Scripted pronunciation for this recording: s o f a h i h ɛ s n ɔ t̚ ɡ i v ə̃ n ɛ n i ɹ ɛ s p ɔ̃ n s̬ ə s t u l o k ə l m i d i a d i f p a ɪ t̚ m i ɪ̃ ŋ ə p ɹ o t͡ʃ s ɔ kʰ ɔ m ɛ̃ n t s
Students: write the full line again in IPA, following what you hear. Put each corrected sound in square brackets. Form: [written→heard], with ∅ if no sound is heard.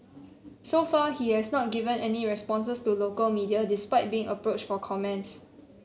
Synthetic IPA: s o f a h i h ɛ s n ɔ t̚ ɡ i v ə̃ n ɛ n i ɹ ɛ s p ɔ̃ n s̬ ə s t u l o k ə l m i d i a d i [f→s] p a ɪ t̚ [m→b] i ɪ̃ ŋ ə p ɹ o t͡ʃ [s→f] ɔ kʰ ɔ m ɛ̃ n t s